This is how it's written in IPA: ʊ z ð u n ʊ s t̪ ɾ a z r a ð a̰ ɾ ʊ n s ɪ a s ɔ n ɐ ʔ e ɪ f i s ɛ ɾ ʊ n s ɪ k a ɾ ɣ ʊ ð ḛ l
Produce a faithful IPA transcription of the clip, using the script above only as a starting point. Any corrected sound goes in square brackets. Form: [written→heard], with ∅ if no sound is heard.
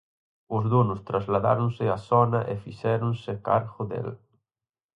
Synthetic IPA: ʊ z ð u n ʊ s t̪ ɾ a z [r→l] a ð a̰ ɾ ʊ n s ɪ a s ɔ n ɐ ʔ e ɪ f i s ɛ ɾ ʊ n s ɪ k a ɾ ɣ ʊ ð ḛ l